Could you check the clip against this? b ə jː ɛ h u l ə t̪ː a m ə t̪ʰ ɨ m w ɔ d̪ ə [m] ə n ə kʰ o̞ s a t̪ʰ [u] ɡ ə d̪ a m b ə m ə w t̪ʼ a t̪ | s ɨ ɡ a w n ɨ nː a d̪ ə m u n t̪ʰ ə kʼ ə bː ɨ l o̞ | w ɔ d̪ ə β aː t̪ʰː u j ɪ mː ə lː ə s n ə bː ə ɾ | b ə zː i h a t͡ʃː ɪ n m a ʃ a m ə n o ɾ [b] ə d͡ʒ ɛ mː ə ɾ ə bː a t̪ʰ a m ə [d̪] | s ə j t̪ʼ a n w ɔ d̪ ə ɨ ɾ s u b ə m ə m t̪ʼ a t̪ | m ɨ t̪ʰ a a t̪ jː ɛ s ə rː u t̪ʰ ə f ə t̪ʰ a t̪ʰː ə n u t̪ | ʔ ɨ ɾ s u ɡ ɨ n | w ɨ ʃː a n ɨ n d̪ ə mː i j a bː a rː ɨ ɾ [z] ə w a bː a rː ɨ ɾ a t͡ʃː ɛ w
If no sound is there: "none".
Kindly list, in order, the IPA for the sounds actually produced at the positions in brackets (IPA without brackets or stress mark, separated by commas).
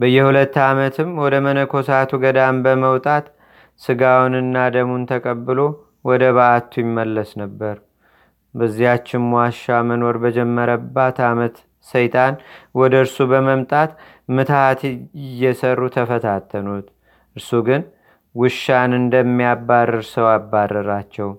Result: m, u, b, t̪, s